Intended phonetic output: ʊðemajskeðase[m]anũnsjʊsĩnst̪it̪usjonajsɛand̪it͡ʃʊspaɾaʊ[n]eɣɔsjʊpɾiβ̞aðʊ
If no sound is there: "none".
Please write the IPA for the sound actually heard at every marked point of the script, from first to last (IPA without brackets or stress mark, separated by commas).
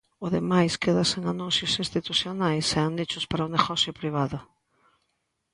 ŋ, n